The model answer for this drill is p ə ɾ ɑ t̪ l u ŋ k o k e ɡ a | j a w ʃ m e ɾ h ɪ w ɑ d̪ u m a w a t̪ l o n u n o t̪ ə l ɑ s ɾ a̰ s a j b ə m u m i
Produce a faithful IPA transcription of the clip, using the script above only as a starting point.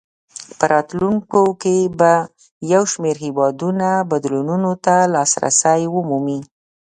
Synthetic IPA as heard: p ə ɾ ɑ t̪ l u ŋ k o k e b a | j a w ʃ m e ɾ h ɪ w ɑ d̪ u n a b a d̪ l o n u n o t̪ a l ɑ s ɾ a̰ s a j w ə m u m i